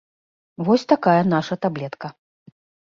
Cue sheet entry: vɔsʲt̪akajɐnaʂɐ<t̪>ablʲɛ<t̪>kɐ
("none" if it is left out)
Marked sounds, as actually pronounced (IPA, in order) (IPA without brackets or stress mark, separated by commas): t̪, t̪